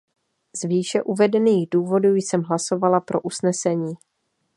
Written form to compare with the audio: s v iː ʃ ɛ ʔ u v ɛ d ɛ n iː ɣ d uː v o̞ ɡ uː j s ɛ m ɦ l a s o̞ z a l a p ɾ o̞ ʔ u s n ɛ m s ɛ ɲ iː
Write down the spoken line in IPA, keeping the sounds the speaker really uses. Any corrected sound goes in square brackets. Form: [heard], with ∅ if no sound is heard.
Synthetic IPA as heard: [z] v iː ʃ ɛ ʔ u v ɛ d ɛ n iː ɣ d uː v o̞ [d] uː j s ɛ m ɦ l a s o̞ [v] a l a p ɾ o̞ ʔ u s n ɛ [∅] s ɛ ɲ iː

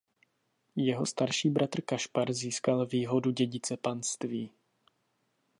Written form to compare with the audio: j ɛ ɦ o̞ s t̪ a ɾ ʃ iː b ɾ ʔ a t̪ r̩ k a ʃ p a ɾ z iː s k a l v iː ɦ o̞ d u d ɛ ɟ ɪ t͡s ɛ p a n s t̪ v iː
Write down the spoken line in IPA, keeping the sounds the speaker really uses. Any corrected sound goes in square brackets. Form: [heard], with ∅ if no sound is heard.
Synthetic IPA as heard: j ɛ ɦ o̞ s t̪ a ɾ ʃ iː b ɾ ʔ a t̪ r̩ k a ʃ p a ɾ z iː s k a l v iː ɦ o̞ d u [ɟ] ɛ ɟ ɪ t͡s ɛ p a n s t̪ v iː

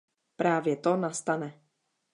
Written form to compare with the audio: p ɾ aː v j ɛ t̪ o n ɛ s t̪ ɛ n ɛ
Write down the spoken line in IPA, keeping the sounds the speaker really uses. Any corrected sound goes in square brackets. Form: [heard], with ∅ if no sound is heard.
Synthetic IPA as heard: p ɾ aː v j ɛ t̪ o n [a] s t̪ [a] n ɛ

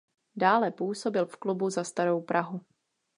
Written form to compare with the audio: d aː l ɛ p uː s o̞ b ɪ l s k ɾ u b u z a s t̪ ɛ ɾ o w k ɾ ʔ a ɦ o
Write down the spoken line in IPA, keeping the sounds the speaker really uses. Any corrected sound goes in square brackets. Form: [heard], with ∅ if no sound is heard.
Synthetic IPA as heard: d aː l ɛ p uː s o̞ b ɪ l [f] k [l] u b u z a s t̪ [a] ɾ o w [p] ɾ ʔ a ɦ [u]

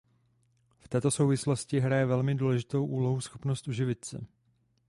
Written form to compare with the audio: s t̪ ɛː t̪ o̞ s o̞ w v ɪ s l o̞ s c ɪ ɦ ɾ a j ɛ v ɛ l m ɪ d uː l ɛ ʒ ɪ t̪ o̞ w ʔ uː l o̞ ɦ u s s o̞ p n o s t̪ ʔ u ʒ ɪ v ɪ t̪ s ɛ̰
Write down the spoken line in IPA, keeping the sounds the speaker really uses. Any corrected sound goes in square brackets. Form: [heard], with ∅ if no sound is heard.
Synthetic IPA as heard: [f] t̪ ɛː t̪ o̞ s o̞ w v ɪ s l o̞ s c ɪ ɦ ɾ a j ɛ v ɛ l m ɪ d uː l ɛ ʒ ɪ t̪ o̞ w ʔ uː l o̞ ɦ u s [x] o̞ p n o s t̪ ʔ u ʒ ɪ v ɪ t̪ s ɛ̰

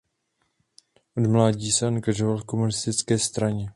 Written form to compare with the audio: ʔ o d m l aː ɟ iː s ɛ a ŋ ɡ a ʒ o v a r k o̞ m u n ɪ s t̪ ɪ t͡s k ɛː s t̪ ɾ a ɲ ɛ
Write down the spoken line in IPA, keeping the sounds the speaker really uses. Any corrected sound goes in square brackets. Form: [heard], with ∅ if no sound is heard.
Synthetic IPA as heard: ʔ o d m l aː ɟ iː s ɛ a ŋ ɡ a ʒ o v a [l] k o̞ m u n ɪ s t̪ ɪ t͡s k ɛː s t̪ ɾ a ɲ ɛ

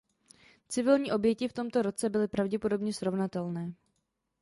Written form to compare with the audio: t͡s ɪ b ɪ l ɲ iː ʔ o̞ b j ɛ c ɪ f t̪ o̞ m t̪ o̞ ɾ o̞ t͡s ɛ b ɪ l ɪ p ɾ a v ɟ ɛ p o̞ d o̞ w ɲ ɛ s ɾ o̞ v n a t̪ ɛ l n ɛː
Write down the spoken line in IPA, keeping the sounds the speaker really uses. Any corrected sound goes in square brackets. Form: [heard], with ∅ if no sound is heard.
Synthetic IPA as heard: t͡s ɪ [v] ɪ l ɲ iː ʔ o̞ b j ɛ c ɪ f t̪ o̞ m t̪ o̞ ɾ o̞ t͡s ɛ b ɪ l ɪ p ɾ a v ɟ ɛ p o̞ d o̞ [b] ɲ ɛ s ɾ o̞ v n a t̪ ɛ l n ɛː

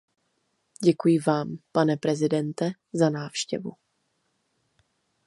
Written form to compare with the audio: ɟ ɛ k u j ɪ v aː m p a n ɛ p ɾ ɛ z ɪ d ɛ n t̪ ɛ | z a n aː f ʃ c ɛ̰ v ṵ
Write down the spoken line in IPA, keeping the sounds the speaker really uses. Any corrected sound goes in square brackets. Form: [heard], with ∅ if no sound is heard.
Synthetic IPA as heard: ɟ ɛ k u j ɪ v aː m p a n ɛ p ɾ ɛ z ɪ d ɛ n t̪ ɛ | z a n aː f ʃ c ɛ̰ v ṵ

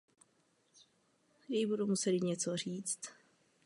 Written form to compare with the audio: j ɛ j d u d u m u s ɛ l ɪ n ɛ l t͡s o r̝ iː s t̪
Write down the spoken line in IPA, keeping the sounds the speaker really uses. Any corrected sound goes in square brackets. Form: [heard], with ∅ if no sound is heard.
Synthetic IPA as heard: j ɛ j [b] u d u m u s ɛ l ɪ [ɲ] ɛ [∅] t͡s o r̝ iː [t͡s] t̪

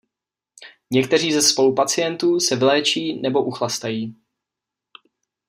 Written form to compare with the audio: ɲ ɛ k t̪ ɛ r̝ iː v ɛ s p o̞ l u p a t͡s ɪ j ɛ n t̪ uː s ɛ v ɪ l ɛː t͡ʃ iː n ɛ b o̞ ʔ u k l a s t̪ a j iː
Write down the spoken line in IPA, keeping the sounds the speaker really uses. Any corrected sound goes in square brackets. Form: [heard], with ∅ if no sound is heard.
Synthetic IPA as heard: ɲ ɛ k t̪ ɛ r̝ iː [z] ɛ s p o̞ l u p a t͡s ɪ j ɛ n t̪ uː s ɛ v ɪ l ɛː t͡ʃ iː n ɛ b o̞ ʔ u [x] l a s t̪ a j iː

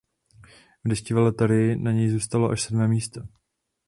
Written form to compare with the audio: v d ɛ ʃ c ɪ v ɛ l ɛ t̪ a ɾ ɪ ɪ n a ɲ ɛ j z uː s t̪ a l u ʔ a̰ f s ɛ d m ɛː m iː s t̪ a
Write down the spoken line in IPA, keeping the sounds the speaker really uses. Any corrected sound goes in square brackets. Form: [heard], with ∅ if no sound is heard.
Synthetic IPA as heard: v d ɛ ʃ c ɪ v ɛ l ɛ t̪ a ɾ ɪ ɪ n a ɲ ɛ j z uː s t̪ a l [o] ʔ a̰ [ʃ] s ɛ d m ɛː m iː s t̪ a

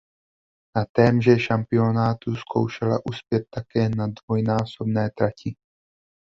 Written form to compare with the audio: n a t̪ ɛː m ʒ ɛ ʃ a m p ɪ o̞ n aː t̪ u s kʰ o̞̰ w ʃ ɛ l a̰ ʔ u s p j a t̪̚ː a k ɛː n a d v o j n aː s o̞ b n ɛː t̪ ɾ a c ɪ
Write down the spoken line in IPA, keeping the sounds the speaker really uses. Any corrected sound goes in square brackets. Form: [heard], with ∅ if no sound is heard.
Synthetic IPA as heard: n a t̪ ɛː m ʒ ɛ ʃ a m p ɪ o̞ n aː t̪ u s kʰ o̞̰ w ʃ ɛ l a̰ ʔ u s p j [ɛ] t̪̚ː a k ɛː n a d v o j n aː s o̞ b n ɛː t̪ ɾ a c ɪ

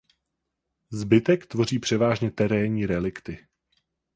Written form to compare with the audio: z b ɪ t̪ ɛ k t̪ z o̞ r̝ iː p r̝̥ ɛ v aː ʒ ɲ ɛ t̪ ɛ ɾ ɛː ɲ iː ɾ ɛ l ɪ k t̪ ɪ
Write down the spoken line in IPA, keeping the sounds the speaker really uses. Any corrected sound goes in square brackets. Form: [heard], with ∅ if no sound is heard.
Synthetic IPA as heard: z b ɪ t̪ ɛ k t̪ [v] o̞ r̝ iː p r̝̥ ɛ v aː ʒ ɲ ɛ t̪ ɛ ɾ ɛː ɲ iː ɾ ɛ l ɪ k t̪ ɪ

